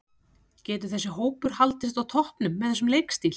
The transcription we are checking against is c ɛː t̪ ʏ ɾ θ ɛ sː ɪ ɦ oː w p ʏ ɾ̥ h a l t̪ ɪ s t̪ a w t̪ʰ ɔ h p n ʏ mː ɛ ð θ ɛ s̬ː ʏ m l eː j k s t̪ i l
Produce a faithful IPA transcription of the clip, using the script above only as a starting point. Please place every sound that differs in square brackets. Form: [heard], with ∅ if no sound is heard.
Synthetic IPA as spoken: c ɛː t̪ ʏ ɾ θ ɛ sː ɪ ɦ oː w p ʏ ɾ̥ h a l t̪ ɪ s t̪ a w t̪ʰ ɔ h p n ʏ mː ɛ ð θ ɛ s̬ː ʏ m l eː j k s t̪ i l